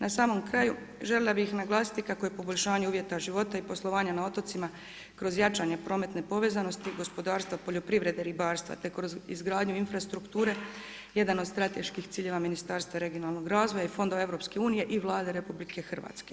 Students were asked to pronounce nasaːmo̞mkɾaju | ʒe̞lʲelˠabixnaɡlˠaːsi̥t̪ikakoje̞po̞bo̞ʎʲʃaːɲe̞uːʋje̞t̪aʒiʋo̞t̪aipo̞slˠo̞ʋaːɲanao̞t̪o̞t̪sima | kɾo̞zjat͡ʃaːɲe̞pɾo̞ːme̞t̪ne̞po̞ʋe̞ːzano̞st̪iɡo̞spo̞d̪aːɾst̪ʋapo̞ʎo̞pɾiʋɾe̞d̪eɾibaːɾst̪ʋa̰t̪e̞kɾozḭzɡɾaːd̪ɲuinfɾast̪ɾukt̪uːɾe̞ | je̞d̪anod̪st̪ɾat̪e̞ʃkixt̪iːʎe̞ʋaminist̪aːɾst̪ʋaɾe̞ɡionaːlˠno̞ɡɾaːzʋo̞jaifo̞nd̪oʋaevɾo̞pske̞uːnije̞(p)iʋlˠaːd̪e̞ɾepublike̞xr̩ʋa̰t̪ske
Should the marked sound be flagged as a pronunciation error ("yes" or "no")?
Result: yes